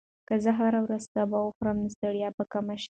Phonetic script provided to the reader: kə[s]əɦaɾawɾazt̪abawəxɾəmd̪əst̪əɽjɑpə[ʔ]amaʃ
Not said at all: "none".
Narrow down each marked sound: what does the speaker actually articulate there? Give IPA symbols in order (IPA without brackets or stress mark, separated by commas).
z, k